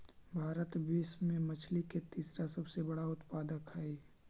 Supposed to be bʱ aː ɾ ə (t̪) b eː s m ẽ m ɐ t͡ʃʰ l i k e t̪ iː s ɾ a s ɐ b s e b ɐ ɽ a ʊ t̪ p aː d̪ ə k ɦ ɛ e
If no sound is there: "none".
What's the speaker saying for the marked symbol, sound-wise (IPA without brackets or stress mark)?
t̪